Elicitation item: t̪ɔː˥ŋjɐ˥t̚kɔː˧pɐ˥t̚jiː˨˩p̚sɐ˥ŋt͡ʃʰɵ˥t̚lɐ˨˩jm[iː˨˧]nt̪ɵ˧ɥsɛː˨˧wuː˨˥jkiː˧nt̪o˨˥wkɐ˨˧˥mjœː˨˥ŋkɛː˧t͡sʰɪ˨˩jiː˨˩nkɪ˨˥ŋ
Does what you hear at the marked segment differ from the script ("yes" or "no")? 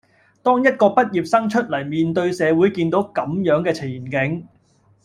no